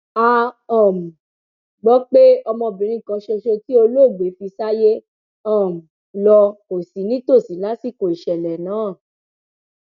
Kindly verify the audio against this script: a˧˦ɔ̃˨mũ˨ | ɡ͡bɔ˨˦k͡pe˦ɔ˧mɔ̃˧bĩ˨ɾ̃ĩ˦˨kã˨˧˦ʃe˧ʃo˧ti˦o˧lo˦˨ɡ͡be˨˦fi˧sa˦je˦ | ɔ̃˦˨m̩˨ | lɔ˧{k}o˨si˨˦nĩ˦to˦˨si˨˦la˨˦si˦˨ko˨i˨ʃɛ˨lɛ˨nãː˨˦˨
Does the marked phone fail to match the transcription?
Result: no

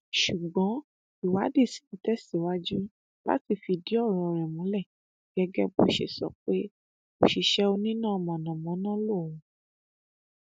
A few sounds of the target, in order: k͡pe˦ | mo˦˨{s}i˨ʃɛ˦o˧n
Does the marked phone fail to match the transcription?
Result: yes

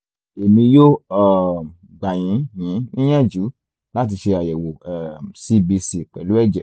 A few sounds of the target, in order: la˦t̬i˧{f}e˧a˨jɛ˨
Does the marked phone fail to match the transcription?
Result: yes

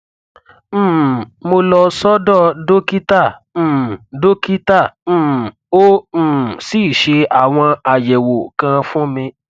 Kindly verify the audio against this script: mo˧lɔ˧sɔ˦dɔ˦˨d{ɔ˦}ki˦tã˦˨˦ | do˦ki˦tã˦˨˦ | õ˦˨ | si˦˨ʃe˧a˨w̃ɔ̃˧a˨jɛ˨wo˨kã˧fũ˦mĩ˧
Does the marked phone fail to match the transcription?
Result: yes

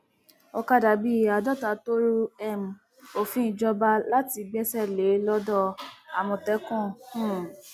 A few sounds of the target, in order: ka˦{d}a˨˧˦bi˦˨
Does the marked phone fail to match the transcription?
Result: no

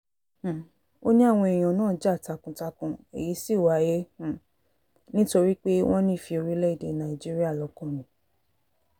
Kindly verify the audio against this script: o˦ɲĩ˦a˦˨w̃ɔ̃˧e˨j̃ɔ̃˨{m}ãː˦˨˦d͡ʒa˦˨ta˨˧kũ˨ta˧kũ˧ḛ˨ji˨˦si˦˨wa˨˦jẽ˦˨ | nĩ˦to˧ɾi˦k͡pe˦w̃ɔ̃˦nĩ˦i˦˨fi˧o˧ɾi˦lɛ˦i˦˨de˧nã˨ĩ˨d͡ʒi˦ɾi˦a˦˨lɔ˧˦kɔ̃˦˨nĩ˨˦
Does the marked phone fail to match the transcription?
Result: yes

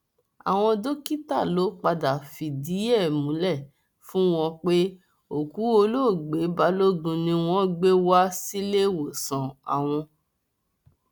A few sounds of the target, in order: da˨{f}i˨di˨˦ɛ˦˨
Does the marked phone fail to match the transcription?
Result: no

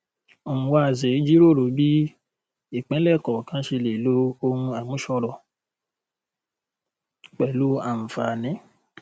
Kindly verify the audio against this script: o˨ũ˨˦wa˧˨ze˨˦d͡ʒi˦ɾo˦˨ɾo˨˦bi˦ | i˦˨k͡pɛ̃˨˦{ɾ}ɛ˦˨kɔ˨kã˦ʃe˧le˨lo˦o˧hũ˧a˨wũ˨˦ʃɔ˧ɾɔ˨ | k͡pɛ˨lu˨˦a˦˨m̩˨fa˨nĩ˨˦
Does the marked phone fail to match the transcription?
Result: yes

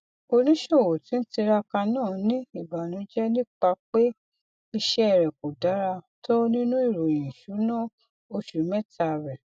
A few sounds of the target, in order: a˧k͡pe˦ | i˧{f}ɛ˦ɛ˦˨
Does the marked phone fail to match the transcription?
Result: yes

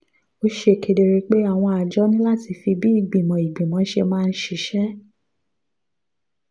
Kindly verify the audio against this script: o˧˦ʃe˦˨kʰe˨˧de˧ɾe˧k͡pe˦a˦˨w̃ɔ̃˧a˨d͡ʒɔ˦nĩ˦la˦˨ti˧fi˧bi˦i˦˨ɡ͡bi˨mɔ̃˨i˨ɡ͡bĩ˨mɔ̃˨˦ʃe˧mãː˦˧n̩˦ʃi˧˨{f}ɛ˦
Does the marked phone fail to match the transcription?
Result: yes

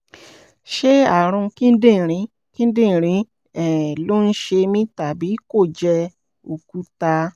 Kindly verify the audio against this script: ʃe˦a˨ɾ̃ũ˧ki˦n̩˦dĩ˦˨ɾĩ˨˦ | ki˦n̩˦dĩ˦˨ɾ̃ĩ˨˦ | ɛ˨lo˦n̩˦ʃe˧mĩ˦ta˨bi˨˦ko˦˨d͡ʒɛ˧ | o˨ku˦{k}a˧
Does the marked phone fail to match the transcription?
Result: yes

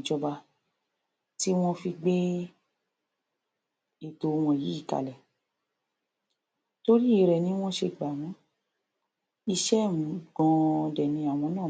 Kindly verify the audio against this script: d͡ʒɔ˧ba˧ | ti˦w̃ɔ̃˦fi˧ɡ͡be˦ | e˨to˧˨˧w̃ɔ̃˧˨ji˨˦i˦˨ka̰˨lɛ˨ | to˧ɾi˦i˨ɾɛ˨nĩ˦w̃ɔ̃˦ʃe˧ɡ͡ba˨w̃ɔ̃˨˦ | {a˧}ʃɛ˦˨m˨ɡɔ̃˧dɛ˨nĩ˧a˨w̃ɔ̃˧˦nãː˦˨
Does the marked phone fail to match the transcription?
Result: yes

